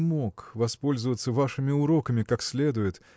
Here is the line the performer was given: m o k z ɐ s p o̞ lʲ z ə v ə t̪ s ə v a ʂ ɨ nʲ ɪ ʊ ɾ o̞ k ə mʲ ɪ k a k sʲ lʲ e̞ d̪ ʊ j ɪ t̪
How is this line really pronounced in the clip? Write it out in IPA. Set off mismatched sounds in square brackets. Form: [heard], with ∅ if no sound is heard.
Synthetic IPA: m o k [v] ɐ s p o̞ lʲ z ə v ə t̪ s ə v a ʂ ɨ [mʲ] ɪ ʊ ɾ o̞ k ə mʲ ɪ k a k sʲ lʲ e̞ d̪ ʊ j ɪ t̪